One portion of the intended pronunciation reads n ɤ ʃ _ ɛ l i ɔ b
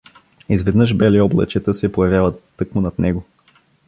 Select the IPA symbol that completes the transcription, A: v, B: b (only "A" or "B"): B